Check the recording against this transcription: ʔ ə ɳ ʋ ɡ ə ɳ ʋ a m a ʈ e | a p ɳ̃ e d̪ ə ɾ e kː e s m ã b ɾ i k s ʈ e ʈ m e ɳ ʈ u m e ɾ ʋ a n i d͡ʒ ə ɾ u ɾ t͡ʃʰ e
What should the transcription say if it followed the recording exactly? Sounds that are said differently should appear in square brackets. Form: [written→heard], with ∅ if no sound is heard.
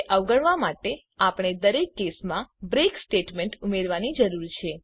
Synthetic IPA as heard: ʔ ə [ɳ→∅] ʋ ɡ ə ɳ ʋ a m a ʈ e | a p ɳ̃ e d̪ ə ɾ e kː e s m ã b ɾ [i→e] k s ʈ e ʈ m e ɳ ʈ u m e ɾ ʋ a n i d͡ʒ ə ɾ u ɾ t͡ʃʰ e